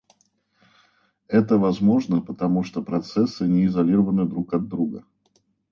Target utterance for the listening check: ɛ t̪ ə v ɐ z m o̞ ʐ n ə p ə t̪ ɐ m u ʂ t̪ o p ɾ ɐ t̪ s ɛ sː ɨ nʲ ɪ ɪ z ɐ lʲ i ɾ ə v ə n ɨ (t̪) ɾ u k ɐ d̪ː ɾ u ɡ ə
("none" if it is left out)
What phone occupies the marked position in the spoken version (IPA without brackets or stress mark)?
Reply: d̪